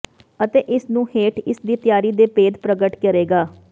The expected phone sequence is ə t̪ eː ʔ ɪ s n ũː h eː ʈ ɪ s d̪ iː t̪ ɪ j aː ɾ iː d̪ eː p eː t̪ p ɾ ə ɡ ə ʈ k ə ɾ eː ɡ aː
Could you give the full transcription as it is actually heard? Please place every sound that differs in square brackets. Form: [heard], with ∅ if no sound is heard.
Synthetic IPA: ə t̪ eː ʔ ɪ s n ũː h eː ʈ ɪ s d̪ iː t̪ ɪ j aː ɾ iː d̪ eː p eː [d̪] p ɾ ə ɡ ə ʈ k ə ɾ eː ɡ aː